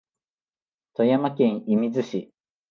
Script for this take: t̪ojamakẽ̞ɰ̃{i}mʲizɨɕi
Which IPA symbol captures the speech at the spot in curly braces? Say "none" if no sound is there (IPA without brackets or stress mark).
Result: i